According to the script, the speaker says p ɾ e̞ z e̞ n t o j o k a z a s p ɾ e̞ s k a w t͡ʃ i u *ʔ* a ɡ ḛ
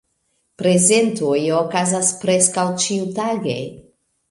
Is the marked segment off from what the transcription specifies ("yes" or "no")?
yes